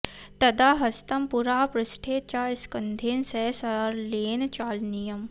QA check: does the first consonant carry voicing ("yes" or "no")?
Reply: no